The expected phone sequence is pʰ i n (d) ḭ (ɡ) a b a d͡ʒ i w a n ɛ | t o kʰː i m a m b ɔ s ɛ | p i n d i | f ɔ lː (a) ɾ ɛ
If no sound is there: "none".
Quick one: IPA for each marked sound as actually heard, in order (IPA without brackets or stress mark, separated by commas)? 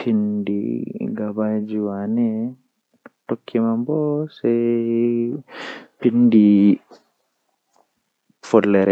d, ɡ, ɛ